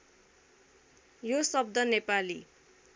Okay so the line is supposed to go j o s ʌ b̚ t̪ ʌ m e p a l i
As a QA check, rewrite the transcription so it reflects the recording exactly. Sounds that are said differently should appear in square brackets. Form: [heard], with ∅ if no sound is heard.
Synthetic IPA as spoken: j o s ʌ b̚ [d̪] ʌ [n] e p a l i